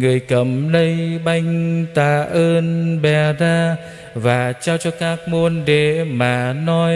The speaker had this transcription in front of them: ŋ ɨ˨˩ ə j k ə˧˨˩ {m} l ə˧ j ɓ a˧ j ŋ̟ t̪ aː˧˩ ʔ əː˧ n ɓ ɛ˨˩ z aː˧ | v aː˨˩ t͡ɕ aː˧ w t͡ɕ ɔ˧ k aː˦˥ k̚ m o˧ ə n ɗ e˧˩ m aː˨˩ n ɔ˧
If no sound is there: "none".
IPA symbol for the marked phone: m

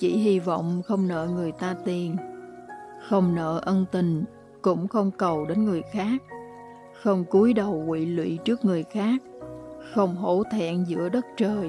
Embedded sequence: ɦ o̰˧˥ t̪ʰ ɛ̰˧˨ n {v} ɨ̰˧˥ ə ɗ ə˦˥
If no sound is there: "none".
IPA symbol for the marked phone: z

